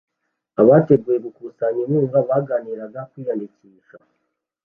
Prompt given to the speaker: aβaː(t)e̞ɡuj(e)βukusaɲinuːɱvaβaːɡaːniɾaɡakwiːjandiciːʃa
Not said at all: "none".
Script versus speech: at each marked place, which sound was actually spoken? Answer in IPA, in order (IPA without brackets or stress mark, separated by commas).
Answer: t, e